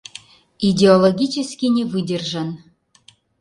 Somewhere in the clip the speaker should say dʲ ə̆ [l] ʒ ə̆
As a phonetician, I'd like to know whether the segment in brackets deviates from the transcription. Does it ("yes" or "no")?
yes